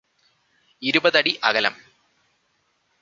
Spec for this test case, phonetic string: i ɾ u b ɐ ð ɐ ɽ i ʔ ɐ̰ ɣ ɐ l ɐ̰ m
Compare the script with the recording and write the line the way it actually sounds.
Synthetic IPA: i ɾ u b ɐ ð ɐ ɽ i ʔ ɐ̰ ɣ ɐ l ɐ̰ m